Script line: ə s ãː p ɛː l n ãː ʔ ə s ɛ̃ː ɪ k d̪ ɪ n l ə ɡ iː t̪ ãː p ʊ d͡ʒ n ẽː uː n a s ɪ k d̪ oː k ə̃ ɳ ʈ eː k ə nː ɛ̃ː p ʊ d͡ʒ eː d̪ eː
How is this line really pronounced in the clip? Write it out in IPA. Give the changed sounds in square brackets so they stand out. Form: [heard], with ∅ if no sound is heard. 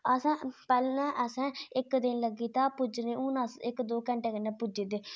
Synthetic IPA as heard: ə s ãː p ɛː l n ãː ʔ ə s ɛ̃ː ɪ k d̪ ɪ n l ə ɡ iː t̪ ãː p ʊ d͡ʒ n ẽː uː n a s ɪ k d̪ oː k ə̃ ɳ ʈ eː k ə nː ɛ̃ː p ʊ d͡ʒ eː d̪ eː